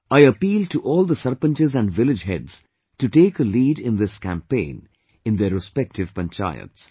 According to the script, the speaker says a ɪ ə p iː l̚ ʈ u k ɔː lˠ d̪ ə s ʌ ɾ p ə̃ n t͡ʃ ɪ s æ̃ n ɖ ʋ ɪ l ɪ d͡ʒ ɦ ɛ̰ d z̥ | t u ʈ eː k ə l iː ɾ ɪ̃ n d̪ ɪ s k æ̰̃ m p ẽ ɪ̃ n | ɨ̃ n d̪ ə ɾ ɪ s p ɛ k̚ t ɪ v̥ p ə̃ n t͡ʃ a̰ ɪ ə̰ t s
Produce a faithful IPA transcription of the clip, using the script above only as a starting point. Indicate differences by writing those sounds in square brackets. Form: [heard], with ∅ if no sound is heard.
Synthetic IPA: a ɪ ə p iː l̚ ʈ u [ʔ] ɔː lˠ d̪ ə s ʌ ɾ p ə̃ n t͡ʃ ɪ [z] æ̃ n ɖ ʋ ɪ l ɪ d͡ʒ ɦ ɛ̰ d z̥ | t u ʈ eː k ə l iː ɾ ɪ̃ n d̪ ɪ s k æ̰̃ m p ẽ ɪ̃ n | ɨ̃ n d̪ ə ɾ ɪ s p ɛ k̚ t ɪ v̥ p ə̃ n t͡ʃ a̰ ɪ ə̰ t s